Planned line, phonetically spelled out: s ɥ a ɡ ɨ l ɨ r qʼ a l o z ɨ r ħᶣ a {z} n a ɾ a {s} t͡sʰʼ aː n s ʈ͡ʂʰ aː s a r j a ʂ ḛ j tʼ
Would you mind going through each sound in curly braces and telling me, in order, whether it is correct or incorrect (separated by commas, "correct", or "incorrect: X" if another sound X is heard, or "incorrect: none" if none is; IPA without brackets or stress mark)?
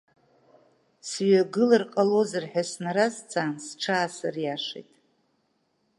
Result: incorrect: s, incorrect: z